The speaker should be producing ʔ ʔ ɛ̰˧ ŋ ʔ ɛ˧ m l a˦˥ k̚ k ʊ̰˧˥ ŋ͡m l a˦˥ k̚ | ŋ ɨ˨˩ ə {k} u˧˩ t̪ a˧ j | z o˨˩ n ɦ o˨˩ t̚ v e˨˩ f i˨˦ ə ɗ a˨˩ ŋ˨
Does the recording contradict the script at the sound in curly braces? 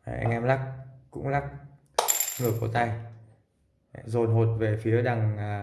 no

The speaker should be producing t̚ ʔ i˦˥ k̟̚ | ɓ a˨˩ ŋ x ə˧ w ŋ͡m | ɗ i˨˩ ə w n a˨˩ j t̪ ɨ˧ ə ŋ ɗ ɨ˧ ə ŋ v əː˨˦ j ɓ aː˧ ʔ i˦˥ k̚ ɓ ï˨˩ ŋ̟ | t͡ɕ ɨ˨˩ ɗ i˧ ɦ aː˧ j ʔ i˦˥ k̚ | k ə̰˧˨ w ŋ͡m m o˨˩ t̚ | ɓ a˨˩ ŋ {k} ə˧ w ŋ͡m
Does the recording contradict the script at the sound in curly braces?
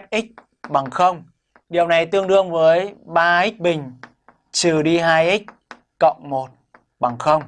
yes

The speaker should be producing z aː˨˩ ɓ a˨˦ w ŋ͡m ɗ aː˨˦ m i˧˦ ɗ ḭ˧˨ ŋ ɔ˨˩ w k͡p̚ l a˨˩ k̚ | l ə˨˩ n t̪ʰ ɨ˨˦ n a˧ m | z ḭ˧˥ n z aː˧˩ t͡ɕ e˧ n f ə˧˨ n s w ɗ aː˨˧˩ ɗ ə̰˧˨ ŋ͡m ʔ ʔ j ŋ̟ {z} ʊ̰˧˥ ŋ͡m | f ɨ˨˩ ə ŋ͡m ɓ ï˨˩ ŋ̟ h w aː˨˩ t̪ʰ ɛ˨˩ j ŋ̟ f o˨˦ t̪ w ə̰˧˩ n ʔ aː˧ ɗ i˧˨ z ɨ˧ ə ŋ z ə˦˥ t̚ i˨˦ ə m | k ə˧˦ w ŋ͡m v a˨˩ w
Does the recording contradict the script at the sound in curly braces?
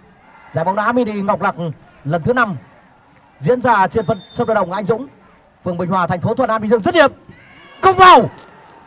no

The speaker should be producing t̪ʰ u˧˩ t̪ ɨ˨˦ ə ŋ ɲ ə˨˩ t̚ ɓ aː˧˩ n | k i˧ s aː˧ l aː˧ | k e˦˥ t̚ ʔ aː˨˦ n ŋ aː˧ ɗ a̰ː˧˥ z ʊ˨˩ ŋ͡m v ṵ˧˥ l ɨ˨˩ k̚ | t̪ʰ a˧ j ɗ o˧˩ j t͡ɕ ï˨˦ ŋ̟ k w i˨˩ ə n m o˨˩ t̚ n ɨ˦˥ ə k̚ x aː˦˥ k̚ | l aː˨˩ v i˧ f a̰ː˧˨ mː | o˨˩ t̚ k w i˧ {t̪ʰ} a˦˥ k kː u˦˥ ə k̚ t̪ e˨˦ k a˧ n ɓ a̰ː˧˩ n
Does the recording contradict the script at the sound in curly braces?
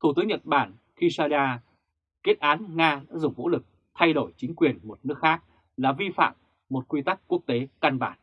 yes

